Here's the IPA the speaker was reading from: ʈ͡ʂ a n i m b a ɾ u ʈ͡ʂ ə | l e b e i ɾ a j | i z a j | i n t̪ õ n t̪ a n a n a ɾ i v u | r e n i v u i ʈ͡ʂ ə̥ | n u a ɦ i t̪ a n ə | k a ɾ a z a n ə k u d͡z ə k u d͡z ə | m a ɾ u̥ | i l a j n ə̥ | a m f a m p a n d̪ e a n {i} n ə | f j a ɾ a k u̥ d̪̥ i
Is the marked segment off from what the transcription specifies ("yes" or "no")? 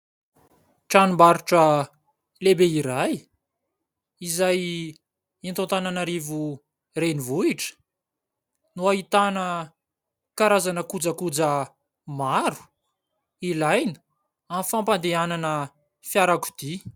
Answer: yes